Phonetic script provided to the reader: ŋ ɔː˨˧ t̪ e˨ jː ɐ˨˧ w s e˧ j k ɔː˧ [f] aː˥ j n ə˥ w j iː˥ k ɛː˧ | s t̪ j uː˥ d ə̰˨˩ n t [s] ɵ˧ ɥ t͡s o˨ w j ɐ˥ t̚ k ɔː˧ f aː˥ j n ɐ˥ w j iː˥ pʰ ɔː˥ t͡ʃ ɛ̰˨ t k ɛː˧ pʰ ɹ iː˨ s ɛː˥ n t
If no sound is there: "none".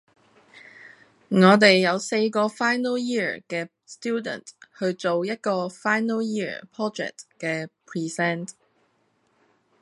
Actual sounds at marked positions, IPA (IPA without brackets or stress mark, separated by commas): f, h